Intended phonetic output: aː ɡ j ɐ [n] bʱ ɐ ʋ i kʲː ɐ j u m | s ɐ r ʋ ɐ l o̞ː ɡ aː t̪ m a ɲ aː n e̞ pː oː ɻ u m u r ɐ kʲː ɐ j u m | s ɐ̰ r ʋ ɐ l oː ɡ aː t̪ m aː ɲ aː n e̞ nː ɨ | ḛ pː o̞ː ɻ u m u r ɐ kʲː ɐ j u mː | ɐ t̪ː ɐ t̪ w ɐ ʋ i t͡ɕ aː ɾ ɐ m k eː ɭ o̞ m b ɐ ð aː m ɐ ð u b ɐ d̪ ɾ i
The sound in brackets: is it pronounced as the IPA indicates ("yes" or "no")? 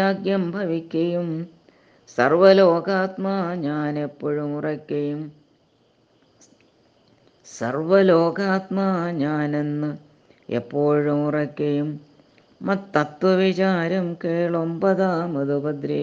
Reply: no